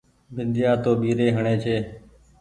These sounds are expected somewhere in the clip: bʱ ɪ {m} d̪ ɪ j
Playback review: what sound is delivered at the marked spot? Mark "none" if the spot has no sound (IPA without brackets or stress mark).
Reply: n